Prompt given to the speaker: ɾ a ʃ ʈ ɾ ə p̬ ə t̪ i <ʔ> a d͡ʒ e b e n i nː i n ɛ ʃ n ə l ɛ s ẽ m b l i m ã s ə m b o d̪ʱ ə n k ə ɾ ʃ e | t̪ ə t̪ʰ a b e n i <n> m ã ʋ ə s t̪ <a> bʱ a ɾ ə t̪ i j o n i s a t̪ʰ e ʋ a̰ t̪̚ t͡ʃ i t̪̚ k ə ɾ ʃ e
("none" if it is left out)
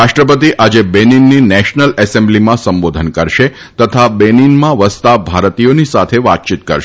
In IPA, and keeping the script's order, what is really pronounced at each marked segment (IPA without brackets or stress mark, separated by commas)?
ʔ, n, a